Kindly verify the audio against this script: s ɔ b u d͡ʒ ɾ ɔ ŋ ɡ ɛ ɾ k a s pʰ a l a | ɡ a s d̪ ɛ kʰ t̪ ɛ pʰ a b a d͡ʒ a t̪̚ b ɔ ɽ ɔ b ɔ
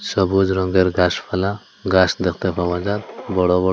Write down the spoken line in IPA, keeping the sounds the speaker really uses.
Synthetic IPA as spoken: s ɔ b u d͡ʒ ɾ ɔ ŋ ɡ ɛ ɾ ɡ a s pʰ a l a | ɡ a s d̪ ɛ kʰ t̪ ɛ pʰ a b a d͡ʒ a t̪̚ b ɔ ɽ ɔ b ɔ